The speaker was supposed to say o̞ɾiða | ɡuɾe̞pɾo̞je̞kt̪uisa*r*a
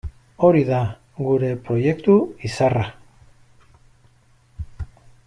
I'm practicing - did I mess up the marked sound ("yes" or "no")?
no